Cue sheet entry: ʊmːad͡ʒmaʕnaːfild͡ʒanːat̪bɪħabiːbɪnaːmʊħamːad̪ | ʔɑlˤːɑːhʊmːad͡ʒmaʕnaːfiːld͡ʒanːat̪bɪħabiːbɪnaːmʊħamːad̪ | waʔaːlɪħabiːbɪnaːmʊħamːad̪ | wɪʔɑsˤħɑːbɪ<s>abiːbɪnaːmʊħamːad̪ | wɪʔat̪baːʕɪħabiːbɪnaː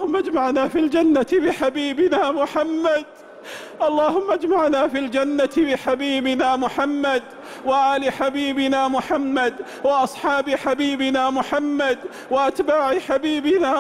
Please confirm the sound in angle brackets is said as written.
no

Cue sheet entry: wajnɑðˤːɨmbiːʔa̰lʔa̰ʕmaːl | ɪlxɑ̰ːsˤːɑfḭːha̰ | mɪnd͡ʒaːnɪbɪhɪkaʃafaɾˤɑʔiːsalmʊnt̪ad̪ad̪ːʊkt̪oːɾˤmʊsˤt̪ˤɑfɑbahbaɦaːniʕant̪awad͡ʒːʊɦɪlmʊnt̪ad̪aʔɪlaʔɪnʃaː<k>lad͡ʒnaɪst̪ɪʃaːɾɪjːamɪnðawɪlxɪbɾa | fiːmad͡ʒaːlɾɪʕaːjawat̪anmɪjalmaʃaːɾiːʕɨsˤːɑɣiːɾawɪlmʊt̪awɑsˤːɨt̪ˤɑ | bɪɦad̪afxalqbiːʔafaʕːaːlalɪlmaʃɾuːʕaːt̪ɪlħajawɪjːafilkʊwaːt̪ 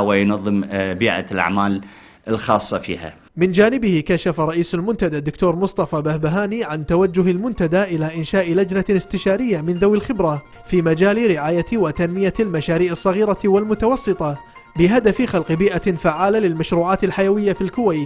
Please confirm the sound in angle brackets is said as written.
no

